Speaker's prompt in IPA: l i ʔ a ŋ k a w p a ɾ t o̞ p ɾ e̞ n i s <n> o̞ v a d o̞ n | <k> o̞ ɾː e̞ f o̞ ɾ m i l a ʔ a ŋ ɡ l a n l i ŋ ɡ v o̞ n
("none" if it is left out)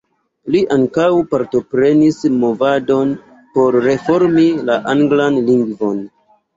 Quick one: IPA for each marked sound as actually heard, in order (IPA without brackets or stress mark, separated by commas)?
m, p